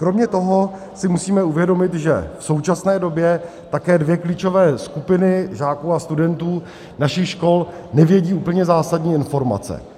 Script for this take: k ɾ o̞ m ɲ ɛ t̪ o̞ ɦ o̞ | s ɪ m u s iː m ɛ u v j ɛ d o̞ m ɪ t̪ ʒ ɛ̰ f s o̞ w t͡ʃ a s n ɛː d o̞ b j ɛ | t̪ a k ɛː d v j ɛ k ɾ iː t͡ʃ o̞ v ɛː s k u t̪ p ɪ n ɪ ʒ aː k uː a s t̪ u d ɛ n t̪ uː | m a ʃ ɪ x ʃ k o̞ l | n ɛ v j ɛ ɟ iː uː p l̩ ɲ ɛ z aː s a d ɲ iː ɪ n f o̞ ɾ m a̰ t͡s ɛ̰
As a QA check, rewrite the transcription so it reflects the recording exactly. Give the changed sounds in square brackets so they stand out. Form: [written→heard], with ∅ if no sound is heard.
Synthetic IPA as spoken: k ɾ o̞ m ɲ ɛ t̪ o̞ ɦ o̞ | s ɪ m u s iː m ɛ u v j ɛ d o̞ m ɪ t̪ ʒ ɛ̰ f s o̞ w t͡ʃ a s n ɛː d o̞ b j ɛ | t̪ a k ɛː d v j ɛ k [ɾ→l] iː t͡ʃ o̞ v ɛː s k u [t̪→∅] p ɪ n ɪ ʒ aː k uː a s t̪ u d ɛ n t̪ uː | [m→n] a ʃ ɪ x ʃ k o̞ l | n ɛ v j ɛ ɟ iː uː p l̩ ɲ ɛ z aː s a d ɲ iː ɪ n f o̞ ɾ m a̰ t͡s ɛ̰